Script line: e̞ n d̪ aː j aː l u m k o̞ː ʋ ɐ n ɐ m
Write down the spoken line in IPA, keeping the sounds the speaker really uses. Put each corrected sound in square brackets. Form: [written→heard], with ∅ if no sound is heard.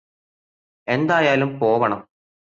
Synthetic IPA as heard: e̞ n d̪ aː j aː l u m [k→p] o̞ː ʋ ɐ [n→ɳ] ɐ m